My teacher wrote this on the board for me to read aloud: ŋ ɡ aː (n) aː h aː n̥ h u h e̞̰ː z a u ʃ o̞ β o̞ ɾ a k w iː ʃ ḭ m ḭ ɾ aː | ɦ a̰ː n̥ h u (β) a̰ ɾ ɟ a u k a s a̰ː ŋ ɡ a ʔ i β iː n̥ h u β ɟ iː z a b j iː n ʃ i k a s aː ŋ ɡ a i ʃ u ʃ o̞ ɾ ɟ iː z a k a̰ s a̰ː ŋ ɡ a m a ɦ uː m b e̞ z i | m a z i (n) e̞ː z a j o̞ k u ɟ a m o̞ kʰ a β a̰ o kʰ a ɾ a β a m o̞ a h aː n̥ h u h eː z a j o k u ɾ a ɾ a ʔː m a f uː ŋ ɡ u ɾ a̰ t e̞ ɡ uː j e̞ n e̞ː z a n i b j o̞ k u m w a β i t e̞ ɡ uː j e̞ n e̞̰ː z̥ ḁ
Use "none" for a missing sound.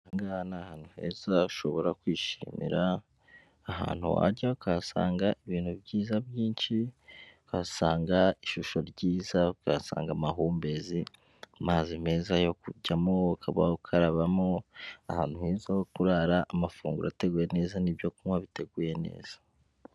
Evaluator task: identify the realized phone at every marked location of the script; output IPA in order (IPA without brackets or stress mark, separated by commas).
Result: n, w, m